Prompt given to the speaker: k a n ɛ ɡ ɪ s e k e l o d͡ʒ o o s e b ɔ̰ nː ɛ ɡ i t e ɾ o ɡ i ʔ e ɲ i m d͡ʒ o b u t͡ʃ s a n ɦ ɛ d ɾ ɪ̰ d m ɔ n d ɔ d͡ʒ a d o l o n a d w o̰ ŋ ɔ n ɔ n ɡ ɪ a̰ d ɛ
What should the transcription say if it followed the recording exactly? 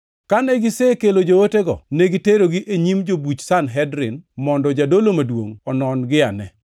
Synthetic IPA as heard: k a n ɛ ɡ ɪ s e k e l o d͡ʒ o o t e ɡ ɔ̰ n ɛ ɡ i t e ɾ o ɡ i ʔ e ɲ i m d͡ʒ o b u t͡ʃ s a n ɦ ɛ d ɾ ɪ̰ n m ɔ n d ɔ d͡ʒ a d o l o m a d w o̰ ŋ ɔ n ɔ n ɡ ɪ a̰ n ɛ